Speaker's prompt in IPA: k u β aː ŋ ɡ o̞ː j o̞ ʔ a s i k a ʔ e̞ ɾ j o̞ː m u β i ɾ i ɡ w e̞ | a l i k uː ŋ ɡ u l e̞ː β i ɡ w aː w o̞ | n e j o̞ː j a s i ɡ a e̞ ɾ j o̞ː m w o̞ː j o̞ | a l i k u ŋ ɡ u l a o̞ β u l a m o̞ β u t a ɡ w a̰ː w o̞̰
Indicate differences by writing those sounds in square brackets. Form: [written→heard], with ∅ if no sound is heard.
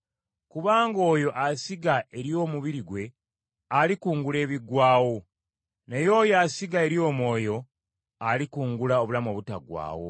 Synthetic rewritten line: k u β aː ŋ ɡ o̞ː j o̞ ʔ a s i [k→ɡ] a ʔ e̞ ɾ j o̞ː m u β i ɾ i ɡ w e̞ | a l i k uː ŋ ɡ u l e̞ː β i ɡ w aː w o̞ | n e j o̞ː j a s i ɡ a e̞ ɾ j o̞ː m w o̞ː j o̞ | a l i k [u→uː] ŋ ɡ u l a o̞ β u l a m o̞ β u t a ɡ w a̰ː w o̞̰